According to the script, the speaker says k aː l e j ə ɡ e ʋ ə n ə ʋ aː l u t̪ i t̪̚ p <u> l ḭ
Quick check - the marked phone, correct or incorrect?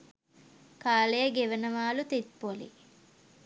incorrect